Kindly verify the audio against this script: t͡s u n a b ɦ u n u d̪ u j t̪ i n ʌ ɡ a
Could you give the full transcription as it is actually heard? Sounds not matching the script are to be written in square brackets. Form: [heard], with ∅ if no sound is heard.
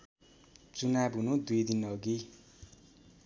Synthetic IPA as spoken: t͡s u n a b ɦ u n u d̪ u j [d̪] i n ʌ ɡ [i]